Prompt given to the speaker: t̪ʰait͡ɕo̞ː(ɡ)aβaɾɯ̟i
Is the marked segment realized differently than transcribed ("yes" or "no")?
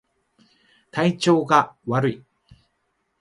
no